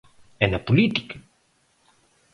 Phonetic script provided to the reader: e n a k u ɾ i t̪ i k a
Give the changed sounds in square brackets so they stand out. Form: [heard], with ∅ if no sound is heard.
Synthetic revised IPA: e n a [p] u [l] i t̪ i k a